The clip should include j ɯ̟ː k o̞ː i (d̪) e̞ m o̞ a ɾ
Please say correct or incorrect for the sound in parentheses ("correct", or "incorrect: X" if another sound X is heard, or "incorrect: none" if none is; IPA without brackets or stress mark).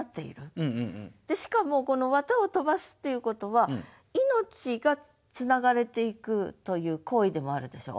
correct